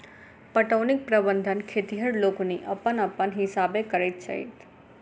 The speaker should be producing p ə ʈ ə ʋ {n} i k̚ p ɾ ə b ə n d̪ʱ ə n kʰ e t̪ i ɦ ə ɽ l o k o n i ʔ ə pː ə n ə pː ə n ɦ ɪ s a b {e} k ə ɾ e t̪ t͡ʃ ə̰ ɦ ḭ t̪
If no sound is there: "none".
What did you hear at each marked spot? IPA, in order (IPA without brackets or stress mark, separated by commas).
n, e